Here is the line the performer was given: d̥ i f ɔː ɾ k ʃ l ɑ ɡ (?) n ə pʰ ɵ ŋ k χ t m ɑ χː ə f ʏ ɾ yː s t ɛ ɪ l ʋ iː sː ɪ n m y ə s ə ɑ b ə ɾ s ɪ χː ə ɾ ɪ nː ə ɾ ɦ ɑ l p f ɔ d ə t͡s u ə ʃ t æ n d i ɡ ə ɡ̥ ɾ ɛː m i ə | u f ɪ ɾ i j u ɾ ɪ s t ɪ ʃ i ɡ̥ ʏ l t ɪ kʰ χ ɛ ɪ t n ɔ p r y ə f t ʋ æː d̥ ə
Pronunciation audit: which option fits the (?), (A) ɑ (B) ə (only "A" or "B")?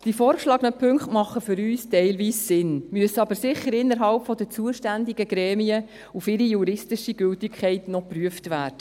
B